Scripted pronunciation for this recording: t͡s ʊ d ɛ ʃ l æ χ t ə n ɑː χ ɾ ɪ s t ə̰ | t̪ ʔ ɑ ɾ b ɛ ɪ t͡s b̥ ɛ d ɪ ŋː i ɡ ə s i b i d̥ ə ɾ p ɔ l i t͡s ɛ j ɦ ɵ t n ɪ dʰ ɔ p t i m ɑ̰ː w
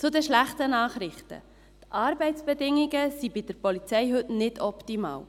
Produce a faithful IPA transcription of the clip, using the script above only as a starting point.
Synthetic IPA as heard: t͡s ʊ d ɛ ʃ l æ χ t ə n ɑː χ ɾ ɪ χ t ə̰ | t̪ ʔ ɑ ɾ b ɛ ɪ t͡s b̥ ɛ d ɪ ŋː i ɡ ə s i b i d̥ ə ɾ p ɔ l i t͡s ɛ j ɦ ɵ t n ɪ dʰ ɔ p t i m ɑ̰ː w